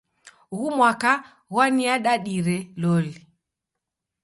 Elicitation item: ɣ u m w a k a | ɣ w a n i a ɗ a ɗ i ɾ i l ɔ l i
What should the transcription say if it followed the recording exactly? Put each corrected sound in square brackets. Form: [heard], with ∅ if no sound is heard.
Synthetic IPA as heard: ɣ u m w a k a | ɣ w a n i a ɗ a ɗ i ɾ [ɛ] l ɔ l i